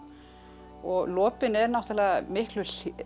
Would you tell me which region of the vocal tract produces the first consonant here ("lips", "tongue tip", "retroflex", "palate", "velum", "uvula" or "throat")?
velum